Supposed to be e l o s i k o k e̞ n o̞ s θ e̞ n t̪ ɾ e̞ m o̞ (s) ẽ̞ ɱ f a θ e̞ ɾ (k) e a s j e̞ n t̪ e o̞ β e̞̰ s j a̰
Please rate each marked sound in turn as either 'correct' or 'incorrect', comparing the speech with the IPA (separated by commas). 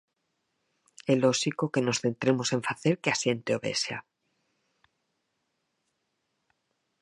correct, correct